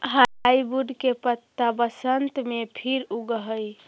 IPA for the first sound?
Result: ɦ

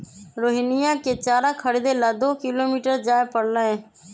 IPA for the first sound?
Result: ɾ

